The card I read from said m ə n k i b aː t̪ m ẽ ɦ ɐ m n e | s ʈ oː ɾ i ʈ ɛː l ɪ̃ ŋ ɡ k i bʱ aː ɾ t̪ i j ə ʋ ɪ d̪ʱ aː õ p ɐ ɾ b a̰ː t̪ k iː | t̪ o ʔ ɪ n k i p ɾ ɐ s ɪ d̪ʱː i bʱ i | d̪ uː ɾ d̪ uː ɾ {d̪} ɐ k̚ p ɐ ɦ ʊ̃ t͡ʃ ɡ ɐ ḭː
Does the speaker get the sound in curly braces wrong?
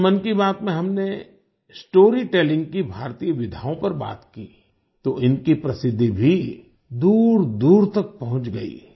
yes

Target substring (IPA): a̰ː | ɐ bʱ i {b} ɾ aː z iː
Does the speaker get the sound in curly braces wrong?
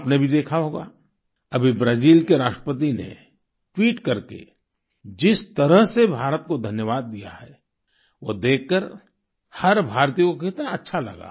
no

